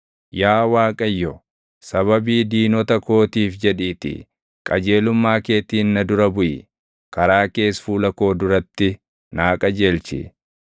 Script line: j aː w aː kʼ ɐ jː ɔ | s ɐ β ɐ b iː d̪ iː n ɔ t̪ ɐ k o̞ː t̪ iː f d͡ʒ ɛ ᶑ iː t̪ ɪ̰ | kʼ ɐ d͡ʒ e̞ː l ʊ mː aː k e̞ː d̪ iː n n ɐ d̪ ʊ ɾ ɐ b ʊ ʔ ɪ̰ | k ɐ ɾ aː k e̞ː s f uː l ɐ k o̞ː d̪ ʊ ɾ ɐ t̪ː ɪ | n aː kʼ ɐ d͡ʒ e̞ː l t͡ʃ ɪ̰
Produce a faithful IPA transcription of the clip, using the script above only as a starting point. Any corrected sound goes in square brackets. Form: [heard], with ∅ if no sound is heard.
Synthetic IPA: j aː w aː kʼ ɐ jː ɔ | s ɐ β ɐ b iː d̪ iː n ɔ t̪ ɐ k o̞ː t̪ iː f d͡ʒ ɛ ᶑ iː t̪ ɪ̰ | kʼ ɐ d͡ʒ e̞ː l ʊ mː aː k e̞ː [t̪] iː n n ɐ d̪ ʊ ɾ ɐ b ʊ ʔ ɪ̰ | k ɐ ɾ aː k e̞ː s f uː l ɐ k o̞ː d̪ ʊ ɾ ɐ t̪ː ɪ | n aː kʼ ɐ d͡ʒ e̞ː l t͡ʃ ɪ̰